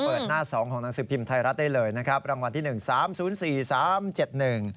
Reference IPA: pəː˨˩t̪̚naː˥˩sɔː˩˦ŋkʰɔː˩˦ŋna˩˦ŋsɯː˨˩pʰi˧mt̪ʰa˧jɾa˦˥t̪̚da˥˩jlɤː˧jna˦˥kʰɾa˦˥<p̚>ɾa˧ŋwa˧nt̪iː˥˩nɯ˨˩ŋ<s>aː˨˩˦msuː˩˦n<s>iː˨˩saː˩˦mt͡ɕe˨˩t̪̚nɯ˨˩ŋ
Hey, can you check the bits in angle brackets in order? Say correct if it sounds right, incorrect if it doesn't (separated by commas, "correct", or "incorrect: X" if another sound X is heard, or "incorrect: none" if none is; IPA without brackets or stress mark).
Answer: correct, correct, correct